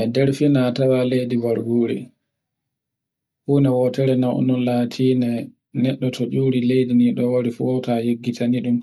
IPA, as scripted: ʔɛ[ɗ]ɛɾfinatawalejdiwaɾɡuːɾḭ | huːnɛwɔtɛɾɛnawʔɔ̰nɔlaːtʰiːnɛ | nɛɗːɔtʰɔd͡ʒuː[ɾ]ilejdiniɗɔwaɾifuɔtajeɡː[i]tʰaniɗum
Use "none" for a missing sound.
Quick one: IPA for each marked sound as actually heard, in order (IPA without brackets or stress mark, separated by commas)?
d, ɾ, i